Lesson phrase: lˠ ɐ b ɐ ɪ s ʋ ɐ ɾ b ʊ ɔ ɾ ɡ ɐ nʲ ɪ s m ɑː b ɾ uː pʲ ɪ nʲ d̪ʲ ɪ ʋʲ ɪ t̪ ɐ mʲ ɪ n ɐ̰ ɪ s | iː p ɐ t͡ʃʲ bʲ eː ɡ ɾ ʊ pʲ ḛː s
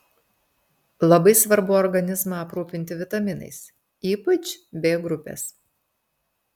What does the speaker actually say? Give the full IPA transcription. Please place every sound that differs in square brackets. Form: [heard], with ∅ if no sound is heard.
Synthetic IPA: lˠ ɐ b ɐ ɪ s ʋ ɐ ɾ b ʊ ɔ ɾ ɡ ɐ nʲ ɪ [z] m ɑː [p] ɾ uː pʲ ɪ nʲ [t̪ʲ] ɪ ʋʲ ɪ t̪ ɐ mʲ ɪ n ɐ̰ ɪ s | iː p ɐ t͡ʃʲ bʲ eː ɡ ɾ ʊ pʲ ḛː s